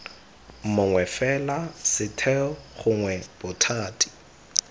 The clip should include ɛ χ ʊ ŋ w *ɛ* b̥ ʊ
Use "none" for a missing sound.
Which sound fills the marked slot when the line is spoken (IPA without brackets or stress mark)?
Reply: ɛ